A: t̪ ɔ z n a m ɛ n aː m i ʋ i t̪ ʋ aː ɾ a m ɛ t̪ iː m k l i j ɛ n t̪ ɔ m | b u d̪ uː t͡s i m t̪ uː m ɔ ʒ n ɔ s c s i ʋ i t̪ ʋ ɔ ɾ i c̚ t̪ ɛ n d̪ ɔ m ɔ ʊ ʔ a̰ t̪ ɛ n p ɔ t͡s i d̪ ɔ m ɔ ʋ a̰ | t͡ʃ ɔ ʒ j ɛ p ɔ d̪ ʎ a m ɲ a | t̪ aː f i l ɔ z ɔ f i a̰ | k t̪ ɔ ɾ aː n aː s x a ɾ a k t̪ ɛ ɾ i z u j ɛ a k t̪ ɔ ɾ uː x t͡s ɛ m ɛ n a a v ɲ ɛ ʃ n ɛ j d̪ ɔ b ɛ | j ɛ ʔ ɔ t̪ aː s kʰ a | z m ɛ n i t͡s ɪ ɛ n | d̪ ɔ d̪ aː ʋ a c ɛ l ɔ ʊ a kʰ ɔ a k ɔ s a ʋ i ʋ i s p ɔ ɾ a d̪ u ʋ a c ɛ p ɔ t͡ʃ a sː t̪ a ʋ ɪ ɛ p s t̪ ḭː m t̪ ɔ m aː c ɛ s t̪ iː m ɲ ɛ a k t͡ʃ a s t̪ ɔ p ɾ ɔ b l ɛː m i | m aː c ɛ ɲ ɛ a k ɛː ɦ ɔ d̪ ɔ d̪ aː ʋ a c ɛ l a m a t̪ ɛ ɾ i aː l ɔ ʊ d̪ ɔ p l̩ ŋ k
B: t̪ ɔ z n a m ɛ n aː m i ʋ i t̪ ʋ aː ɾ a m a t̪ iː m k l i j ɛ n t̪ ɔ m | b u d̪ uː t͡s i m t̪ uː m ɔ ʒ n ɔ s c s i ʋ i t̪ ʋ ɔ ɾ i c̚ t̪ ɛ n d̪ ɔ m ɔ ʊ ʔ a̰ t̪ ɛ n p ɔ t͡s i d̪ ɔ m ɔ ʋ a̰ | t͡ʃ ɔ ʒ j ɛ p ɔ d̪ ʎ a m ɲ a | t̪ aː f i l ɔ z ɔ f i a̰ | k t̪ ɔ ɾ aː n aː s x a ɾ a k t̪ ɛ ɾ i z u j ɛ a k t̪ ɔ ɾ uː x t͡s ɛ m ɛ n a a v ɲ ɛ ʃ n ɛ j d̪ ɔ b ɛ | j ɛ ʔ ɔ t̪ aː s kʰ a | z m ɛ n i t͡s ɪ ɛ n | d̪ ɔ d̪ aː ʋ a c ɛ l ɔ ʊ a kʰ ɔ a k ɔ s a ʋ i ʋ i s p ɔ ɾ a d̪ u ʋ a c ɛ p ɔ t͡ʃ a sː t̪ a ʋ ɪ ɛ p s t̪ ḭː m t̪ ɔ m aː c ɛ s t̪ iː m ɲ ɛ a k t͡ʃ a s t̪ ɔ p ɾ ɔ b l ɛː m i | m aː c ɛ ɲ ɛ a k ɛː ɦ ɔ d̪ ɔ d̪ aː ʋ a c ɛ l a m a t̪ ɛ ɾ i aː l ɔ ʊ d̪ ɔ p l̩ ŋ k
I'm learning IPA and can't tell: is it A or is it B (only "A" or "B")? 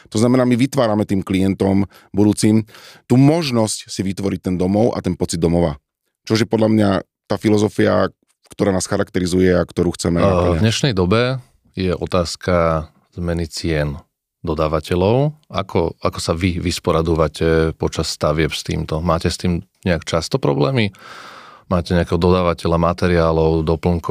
A